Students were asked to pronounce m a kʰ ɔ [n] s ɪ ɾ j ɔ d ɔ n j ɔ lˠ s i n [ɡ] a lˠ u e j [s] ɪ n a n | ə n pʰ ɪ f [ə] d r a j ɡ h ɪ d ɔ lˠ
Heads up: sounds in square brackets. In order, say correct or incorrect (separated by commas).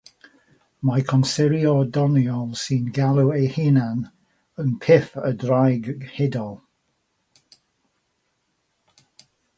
correct, correct, incorrect, correct